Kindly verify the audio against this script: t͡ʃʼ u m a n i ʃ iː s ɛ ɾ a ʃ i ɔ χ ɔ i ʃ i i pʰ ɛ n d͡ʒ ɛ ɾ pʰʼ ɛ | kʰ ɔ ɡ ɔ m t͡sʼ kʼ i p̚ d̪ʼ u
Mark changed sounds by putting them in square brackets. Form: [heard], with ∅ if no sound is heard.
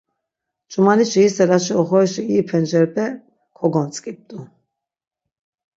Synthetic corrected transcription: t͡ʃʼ u m a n i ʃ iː s ɛ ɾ a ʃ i ɔ χ ɔ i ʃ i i pʰ ɛ n d͡ʒ ɛ ɾ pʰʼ ɛ | kʰ ɔ ɡ ɔ [n] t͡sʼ kʼ i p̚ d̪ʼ u